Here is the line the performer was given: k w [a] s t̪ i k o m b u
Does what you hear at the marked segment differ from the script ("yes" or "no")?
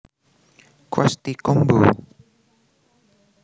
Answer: no